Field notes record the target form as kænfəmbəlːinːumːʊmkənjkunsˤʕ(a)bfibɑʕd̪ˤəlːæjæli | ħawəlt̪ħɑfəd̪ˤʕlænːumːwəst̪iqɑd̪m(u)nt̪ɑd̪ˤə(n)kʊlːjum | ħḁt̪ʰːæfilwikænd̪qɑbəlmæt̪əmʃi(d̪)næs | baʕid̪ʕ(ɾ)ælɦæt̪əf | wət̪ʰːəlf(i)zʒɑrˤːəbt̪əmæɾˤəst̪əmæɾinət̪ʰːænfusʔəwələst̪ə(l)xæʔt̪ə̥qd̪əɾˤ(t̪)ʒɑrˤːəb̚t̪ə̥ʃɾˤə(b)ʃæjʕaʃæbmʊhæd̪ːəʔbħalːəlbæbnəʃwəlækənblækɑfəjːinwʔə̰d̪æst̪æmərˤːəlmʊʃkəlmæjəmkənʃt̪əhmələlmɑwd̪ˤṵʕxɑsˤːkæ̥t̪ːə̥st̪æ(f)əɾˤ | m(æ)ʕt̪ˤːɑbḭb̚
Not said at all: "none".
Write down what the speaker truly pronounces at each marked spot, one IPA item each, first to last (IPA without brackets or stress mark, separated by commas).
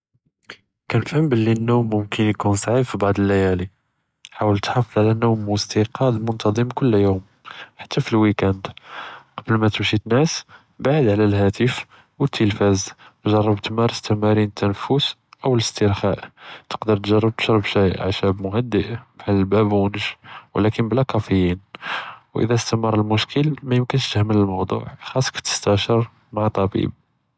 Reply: i, ʊ, m, t̪, l, æ, ɾ, t̪, b, ʃ, a